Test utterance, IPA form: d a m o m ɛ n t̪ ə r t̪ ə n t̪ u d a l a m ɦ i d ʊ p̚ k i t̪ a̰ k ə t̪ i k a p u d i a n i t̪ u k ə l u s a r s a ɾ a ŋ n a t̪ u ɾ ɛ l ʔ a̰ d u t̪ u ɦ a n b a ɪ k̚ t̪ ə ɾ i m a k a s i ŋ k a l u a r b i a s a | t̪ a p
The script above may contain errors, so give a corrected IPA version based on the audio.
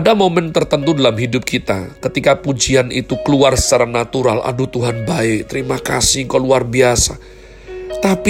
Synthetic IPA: d a m o m ɛ n t̪ ə r t̪ ə n t̪ u d a l a m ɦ i d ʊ p̚ k i t̪ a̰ k ə t̪ i k a p u d͡ʒ i a n i t̪ u k ə l u a r s a ɾ a ŋ n a t̪ u ɾ a l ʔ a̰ d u t̪ u ɦ a n b a ɪ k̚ t̪ ə ɾ i m a k a s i ŋ k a l u a r b i a s a | t̪ a p